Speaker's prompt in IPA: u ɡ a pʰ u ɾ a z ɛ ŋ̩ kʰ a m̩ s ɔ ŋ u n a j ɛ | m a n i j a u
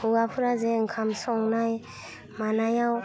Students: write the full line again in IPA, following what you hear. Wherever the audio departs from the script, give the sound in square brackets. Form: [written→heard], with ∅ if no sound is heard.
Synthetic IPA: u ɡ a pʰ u ɾ a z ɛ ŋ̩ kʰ a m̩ s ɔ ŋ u n a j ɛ | m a n [i→a] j a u